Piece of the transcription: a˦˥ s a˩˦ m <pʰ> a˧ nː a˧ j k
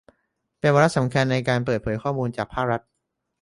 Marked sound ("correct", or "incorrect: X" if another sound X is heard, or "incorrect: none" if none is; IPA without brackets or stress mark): incorrect: kʰ